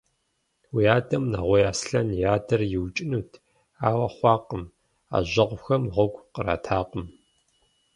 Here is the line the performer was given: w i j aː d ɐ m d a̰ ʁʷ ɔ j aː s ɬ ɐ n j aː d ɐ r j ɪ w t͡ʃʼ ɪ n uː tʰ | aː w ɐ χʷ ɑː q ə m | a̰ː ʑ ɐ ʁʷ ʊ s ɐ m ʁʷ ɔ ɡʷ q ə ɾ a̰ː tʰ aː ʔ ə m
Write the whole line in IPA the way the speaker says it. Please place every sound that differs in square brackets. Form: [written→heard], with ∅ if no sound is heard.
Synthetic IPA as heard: w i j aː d ɐ m [d→n] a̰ ʁʷ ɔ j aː s ɬ ɐ n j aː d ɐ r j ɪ w t͡ʃʼ ɪ n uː tʰ | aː w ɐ χʷ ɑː q ə m | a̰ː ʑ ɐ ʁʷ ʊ [s→x] ɐ m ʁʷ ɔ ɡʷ q ə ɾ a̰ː tʰ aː [ʔ→q] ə m